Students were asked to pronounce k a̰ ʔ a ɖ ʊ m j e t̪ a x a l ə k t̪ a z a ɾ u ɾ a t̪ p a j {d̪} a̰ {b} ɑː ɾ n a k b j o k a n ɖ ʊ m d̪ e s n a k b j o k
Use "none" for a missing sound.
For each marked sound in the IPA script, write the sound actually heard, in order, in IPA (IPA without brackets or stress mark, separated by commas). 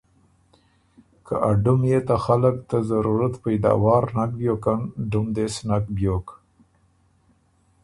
d̪, w